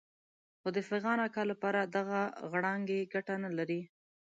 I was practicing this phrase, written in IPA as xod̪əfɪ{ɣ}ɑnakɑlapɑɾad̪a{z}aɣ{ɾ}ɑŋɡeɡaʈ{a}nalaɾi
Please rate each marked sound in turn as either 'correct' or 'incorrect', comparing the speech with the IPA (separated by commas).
correct, incorrect, incorrect, correct